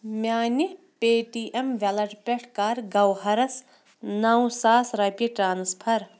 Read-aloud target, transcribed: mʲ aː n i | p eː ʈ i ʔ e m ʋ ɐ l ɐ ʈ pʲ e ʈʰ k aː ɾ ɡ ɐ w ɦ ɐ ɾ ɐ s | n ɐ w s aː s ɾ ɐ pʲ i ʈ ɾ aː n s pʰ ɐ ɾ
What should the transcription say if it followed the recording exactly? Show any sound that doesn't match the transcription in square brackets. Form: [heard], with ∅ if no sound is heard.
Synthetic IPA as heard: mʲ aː n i | p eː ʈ i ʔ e m ʋ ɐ l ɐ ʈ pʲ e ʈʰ k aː ɾ ɡ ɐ w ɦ ɐ ɾ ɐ s | n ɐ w s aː s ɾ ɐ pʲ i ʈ ɾ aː n s pʰ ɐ ɾ

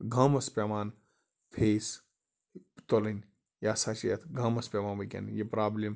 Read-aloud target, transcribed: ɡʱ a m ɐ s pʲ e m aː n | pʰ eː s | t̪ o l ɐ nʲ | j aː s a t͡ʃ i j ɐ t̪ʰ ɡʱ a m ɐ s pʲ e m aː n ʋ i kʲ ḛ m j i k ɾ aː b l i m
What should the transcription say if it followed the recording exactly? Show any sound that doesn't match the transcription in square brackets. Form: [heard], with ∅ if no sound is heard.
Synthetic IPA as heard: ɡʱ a m ɐ s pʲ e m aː n | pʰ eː s | t̪ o l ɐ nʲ | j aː s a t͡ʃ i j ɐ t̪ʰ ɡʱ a m ɐ s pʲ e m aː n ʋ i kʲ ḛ [n] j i [p] ɾ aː b l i m

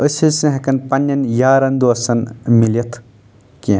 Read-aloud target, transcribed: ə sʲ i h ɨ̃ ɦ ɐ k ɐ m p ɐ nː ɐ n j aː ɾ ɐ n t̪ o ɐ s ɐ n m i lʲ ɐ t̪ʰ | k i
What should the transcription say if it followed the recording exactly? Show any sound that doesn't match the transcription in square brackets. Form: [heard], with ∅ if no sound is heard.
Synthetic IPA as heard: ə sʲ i [s] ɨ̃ ɦ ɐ k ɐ [n] p ɐ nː ɐ n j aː ɾ ɐ n [d̪] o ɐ s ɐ n m i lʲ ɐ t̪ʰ | k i

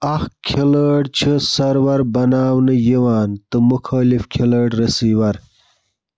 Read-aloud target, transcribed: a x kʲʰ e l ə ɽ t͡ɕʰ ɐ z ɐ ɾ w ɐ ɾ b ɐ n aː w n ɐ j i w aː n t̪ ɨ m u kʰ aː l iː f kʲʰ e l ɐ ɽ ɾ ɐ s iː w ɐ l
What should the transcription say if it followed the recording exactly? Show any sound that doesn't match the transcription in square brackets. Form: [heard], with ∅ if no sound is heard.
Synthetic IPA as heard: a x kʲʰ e l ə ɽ t͡ɕʰ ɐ [s] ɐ ɾ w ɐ ɾ b ɐ n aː w n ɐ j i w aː n t̪ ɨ m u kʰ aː l [i] f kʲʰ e l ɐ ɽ ɾ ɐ s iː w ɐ [ɾ]

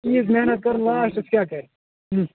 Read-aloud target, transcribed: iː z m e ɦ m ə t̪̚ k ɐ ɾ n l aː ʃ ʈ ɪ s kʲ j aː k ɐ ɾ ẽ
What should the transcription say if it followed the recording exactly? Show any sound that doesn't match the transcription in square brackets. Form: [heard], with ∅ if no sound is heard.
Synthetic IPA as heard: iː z m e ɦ [n] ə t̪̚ k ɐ ɾ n l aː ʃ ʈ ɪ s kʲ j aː k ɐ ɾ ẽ

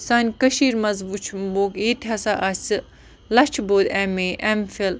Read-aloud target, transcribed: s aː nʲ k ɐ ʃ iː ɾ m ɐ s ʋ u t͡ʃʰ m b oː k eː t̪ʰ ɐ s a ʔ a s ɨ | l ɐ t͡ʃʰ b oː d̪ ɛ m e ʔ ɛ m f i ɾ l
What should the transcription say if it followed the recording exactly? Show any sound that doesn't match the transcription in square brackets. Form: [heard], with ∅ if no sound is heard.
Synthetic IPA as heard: s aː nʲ k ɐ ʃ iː ɾ m ɐ [z] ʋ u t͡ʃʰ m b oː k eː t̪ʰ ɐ s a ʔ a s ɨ | l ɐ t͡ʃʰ b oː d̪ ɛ m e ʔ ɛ m f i [∅] l

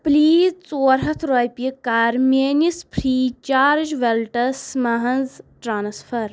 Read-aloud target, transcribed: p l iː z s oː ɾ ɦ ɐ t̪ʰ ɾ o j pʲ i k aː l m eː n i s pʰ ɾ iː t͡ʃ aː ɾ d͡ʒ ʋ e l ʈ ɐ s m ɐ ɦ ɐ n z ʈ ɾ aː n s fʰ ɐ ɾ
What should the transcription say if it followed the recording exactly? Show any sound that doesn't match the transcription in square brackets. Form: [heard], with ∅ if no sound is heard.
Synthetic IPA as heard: p l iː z [t͡s] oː ɾ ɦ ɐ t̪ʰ ɾ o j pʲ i k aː [ɾ] m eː n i s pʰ ɾ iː t͡ʃ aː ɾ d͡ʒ ʋ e l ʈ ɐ s m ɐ ɦ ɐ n z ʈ ɾ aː n s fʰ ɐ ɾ

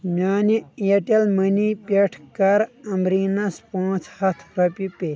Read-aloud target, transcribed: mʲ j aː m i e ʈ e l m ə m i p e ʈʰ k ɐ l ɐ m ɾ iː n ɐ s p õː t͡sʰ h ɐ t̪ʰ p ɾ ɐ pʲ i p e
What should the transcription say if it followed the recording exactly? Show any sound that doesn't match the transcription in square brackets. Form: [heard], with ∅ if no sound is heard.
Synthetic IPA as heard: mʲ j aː [n] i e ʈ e l m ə [n] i p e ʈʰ k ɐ [ɾ] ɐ m ɾ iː n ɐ s p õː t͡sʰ h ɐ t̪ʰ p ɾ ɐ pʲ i p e

